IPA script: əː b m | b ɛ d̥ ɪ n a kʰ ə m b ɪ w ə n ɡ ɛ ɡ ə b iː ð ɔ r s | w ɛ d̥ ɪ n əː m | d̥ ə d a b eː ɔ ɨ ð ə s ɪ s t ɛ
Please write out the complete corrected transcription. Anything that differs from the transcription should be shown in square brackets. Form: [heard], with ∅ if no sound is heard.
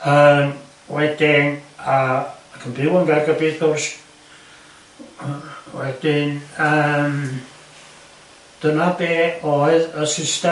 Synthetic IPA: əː [∅] m | [w] ɛ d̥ ɪ n a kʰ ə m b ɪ w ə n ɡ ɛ ɡ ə b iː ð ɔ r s | w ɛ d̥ ɪ n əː m | d̥ ə [n] a b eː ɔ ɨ ð ə s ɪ s t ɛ